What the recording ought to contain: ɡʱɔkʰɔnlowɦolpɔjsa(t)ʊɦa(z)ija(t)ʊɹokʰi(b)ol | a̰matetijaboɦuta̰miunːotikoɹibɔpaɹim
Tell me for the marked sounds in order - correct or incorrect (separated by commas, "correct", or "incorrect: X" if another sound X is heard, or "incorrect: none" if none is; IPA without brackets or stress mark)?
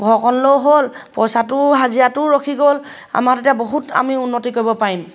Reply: correct, correct, correct, incorrect: ɡ